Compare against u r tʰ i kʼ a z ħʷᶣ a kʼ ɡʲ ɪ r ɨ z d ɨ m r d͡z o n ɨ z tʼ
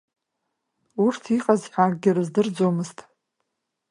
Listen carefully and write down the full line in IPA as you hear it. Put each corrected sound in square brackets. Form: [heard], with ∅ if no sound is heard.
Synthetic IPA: u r tʰ i [qʼ] a z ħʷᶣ a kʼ ɡʲ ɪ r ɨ z d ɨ [∅] r d͡z o [m] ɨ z tʼ